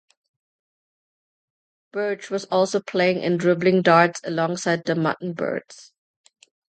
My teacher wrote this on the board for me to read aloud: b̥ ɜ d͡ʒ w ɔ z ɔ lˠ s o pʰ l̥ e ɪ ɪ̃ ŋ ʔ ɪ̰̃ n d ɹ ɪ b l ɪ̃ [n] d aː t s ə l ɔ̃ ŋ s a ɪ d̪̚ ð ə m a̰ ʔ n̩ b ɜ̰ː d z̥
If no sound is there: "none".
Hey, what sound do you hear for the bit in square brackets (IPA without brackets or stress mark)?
ŋ